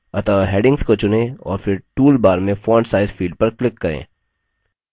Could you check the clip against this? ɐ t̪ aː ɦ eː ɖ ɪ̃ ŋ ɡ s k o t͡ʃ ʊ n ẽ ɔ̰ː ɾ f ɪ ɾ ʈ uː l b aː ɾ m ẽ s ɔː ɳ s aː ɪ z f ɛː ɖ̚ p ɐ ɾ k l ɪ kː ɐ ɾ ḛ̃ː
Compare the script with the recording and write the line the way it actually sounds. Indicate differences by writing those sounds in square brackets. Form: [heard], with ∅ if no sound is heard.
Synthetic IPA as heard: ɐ t̪ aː ɦ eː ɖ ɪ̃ ŋ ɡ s k o t͡ʃ ʊ n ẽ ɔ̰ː ɾ f ɪ ɾ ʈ uː l b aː ɾ m ẽ [f] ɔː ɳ s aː ɪ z f [iː] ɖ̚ p ɐ ɾ k l ɪ kː ɐ ɾ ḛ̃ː